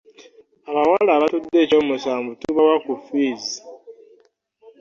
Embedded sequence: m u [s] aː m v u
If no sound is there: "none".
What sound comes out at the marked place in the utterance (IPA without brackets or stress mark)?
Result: s